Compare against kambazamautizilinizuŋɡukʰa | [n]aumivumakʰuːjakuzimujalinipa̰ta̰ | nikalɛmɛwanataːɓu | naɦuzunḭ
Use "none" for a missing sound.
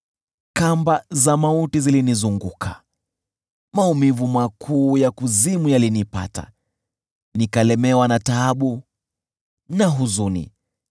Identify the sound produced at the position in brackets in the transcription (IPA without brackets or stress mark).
m